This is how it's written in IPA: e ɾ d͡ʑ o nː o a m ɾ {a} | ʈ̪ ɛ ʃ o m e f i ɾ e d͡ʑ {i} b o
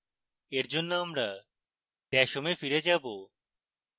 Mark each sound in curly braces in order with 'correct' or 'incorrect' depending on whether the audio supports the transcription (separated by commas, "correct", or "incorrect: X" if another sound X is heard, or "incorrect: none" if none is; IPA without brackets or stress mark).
correct, incorrect: a